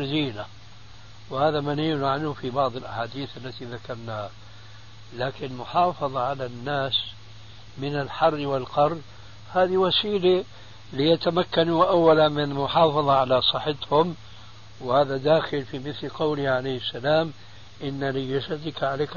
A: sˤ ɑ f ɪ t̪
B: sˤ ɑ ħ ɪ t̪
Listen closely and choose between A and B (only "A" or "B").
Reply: B